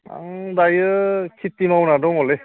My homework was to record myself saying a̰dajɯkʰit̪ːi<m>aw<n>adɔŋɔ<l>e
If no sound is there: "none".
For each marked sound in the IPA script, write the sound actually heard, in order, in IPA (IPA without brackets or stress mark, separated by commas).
m, n, l